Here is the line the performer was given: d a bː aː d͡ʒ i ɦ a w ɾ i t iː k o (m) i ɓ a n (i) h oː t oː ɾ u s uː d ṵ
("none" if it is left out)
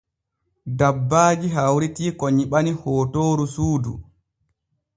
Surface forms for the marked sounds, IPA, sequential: ɲ, i

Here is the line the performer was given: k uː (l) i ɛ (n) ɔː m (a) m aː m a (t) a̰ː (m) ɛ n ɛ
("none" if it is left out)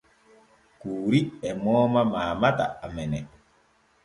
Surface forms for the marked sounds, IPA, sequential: ɾ, m, a, t, m

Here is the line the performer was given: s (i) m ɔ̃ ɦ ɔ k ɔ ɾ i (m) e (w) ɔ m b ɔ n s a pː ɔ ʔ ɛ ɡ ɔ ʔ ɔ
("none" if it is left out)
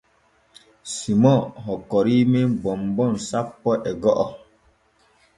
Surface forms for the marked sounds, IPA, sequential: i, m, b

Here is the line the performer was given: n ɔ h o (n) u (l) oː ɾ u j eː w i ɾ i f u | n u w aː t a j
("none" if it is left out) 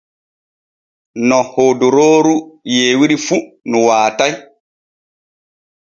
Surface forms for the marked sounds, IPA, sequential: d, ɾ

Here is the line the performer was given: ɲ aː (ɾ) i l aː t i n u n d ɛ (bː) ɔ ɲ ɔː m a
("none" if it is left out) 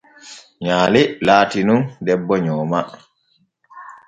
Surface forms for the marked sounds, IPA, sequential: l, bː

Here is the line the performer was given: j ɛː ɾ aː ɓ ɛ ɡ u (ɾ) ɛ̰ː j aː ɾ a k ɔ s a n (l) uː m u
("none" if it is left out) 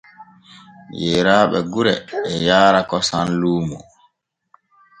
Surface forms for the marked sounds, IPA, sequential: ɾ, l

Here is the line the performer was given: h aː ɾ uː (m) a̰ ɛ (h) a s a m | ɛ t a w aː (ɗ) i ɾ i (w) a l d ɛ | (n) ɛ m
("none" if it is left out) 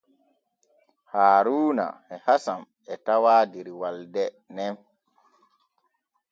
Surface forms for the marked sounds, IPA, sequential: n, h, d, w, n

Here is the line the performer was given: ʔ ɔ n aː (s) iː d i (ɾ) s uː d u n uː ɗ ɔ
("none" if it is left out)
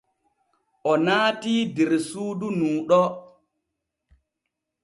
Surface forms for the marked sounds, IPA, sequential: t, ɾ

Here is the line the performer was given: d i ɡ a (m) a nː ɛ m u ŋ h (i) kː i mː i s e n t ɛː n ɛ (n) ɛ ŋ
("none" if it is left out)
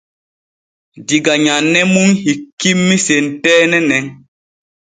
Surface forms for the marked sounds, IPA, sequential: ɲ, i, n

